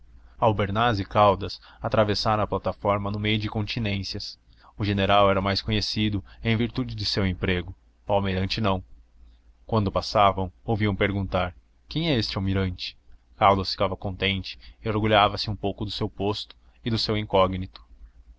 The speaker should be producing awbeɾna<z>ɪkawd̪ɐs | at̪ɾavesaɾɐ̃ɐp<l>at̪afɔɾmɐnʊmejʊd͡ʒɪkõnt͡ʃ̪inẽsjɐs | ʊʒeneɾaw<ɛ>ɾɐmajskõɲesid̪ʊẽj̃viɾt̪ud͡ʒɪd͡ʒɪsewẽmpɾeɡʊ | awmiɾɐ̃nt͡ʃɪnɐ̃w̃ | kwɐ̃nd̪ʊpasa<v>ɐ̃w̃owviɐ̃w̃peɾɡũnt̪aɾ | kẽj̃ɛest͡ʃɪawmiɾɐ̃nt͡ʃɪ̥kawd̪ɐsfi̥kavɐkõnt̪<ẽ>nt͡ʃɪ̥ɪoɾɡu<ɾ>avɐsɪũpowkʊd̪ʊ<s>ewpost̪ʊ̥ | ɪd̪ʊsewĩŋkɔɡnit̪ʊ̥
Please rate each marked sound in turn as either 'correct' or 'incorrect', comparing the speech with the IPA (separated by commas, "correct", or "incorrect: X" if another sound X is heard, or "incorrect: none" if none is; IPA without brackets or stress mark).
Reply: correct, correct, correct, correct, correct, incorrect: ʎ, correct